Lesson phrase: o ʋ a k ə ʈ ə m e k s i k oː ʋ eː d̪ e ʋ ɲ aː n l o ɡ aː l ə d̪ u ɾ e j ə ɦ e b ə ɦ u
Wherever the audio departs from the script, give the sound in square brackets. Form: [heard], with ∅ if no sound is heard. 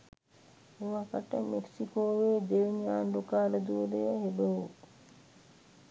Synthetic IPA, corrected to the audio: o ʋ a k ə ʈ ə m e k s i k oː ʋ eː d̪ e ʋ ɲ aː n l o [k] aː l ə d̪ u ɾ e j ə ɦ e b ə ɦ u